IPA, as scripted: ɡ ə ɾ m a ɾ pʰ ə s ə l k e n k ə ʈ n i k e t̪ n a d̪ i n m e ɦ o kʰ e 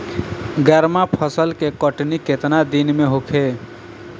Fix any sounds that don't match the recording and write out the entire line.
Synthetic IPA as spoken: ɡ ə ɾ m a pʰ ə s ə l k e k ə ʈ n i k e t̪ n a d̪ i n m e ɦ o kʰ e